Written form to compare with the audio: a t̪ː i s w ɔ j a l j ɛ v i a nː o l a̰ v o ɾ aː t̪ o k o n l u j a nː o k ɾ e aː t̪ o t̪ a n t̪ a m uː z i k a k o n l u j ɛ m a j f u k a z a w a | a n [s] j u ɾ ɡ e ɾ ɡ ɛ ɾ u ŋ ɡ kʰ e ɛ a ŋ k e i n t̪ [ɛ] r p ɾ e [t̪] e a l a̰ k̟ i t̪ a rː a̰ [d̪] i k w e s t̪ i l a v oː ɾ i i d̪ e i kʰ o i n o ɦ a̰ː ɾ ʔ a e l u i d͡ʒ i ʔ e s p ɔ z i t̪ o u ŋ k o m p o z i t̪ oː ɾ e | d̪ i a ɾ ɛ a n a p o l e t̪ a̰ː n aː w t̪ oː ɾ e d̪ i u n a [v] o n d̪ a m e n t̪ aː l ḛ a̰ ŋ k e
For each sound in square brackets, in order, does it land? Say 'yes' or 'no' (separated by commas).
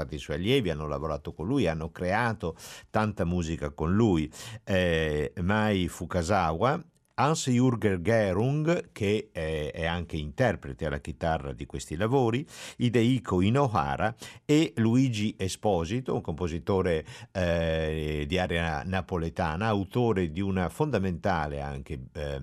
yes, yes, yes, yes, no